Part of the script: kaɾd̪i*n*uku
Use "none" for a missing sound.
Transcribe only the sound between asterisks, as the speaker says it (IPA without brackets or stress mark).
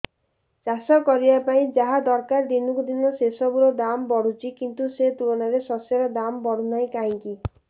n